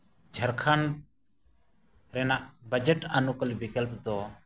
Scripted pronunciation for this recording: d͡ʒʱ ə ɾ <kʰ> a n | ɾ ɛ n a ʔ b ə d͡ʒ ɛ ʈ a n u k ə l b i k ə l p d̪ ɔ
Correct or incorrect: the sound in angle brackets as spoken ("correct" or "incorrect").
correct